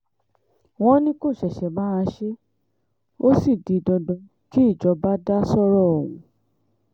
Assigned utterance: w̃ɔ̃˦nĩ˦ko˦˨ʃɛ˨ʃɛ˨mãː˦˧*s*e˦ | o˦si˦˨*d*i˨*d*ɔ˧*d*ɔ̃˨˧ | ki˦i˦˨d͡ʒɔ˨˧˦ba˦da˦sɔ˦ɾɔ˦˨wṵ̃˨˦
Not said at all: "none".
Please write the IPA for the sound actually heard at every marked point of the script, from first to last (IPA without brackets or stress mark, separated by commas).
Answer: ʃ, d, d, d